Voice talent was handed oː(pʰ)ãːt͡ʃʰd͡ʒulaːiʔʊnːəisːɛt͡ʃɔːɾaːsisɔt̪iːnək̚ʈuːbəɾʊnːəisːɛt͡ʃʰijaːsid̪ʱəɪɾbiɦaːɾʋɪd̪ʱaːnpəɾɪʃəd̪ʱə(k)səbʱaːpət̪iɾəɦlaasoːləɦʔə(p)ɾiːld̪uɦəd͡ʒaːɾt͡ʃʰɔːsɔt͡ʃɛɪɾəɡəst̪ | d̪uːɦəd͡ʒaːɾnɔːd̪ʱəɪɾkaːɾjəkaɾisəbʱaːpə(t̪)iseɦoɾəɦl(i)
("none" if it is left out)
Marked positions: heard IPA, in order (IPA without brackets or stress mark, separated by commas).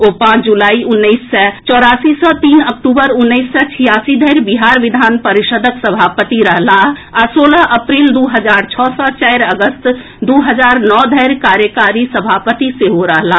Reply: p, k, p, t̪, a